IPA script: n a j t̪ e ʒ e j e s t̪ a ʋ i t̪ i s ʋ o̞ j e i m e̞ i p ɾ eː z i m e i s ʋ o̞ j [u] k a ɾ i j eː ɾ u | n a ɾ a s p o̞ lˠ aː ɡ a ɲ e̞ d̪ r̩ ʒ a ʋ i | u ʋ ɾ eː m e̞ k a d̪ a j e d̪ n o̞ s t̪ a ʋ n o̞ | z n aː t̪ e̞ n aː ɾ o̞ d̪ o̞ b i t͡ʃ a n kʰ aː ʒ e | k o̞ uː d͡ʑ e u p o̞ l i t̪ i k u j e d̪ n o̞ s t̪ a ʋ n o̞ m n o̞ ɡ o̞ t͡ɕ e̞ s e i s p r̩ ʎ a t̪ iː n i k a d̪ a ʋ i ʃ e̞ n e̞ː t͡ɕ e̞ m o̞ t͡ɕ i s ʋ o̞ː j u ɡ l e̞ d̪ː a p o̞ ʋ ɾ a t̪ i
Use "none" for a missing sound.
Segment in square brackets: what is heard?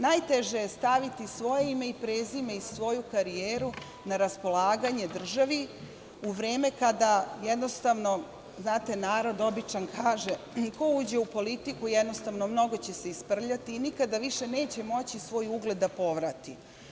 u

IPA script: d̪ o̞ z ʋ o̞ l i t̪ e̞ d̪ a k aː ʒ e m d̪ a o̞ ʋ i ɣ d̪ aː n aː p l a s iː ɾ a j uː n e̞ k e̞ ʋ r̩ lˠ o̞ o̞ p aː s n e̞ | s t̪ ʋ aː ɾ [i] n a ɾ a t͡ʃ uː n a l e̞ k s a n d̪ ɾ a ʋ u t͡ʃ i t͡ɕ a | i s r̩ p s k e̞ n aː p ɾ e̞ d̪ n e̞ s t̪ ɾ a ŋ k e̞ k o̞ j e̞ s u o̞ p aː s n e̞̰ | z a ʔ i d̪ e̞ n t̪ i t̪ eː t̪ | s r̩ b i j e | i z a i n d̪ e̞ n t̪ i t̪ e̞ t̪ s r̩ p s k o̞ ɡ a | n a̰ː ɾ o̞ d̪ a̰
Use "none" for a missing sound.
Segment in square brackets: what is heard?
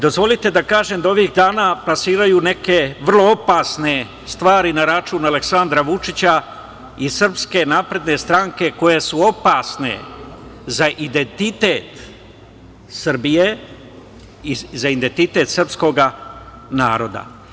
i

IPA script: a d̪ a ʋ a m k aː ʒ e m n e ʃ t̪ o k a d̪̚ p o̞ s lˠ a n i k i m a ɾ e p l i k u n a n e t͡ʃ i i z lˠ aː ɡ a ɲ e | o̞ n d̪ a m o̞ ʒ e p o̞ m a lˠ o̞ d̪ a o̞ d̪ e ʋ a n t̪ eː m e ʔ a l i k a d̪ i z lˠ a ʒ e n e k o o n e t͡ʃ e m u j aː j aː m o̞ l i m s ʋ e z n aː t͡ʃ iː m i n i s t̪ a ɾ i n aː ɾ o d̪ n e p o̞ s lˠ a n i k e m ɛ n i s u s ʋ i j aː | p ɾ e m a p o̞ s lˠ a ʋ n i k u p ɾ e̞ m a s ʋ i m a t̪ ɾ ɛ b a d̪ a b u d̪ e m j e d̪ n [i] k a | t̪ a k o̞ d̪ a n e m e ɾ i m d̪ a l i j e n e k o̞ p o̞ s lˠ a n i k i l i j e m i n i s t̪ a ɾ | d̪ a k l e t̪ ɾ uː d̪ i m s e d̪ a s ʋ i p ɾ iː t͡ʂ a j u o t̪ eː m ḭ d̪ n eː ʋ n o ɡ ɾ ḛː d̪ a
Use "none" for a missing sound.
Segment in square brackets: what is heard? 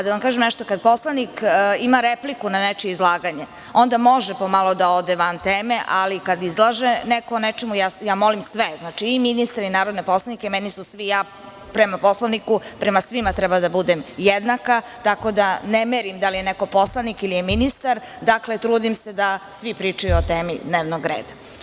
a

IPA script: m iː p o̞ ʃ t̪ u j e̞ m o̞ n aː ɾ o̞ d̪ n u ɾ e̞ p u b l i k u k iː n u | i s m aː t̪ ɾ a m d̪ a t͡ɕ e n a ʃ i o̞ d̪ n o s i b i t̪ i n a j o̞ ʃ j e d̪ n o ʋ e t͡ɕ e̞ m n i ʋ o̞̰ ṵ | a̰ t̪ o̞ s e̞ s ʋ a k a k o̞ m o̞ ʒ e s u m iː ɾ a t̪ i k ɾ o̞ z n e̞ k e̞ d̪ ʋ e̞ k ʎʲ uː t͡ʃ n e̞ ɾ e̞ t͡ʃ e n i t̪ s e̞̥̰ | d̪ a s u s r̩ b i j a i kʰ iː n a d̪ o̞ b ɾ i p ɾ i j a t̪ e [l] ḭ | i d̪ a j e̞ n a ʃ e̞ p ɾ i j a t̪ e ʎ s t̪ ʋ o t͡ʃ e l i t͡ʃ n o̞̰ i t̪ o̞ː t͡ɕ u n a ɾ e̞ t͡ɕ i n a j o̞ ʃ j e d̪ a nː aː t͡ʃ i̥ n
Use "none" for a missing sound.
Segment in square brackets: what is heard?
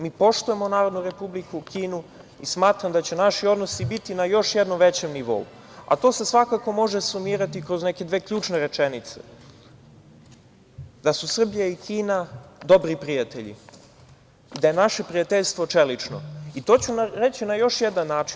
ʎ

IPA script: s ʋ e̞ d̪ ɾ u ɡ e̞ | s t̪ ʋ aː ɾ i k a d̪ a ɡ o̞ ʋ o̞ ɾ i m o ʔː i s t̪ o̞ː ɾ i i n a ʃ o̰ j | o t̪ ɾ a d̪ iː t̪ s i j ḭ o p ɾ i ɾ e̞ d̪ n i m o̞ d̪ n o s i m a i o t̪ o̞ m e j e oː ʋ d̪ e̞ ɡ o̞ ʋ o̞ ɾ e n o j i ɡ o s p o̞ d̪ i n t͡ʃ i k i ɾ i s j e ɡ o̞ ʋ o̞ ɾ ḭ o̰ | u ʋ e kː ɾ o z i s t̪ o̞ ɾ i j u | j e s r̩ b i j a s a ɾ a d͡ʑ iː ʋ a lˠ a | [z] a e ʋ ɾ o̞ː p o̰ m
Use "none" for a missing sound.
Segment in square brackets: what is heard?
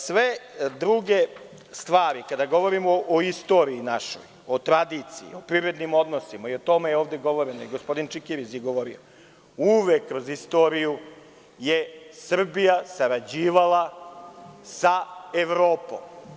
s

